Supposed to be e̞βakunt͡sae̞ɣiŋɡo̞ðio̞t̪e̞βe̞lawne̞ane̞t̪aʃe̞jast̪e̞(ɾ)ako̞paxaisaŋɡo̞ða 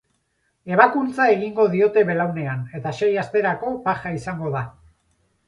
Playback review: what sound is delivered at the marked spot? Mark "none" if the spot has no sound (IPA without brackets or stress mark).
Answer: ɾ